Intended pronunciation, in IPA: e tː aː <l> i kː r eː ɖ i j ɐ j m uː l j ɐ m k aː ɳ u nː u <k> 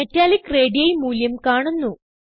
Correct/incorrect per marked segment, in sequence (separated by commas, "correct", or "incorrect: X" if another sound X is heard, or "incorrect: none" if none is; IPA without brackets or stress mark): correct, incorrect: none